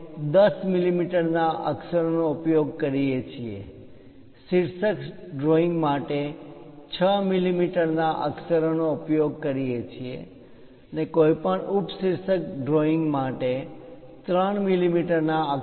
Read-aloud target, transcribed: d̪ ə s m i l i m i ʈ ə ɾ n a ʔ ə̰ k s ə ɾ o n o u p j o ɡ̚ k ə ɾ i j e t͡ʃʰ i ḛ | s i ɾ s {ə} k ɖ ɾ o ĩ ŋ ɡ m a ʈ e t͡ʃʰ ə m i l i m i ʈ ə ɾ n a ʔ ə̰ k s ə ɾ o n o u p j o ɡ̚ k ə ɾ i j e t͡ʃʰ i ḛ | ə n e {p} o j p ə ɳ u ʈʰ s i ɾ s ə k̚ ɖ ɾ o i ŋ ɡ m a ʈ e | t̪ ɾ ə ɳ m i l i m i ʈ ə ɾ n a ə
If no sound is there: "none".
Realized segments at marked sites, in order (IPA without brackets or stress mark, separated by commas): ə, k